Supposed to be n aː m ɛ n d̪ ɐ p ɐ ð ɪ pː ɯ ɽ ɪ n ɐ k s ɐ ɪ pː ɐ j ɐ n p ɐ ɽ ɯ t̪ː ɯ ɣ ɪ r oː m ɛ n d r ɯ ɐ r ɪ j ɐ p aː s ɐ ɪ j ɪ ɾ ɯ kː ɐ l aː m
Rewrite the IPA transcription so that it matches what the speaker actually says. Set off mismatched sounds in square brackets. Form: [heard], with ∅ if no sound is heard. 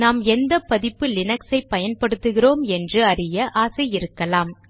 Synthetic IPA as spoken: n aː m ɛ n d̪ ɐ p ɐ ð ɪ pː ɯ [l] ɪ n ɐ k s ɐ ɪ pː ɐ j ɐ n p ɐ ɽ ɯ t̪ː ɯ ɣ ɪ r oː m ɛ n d r ɯ ɐ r ɪ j ɐ [ʔ] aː s ɐ ɪ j ɪ ɾ ɯ kː ɐ l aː m